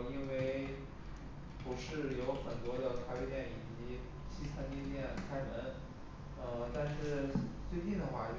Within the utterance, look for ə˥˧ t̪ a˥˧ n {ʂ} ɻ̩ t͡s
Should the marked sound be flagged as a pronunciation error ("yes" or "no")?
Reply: no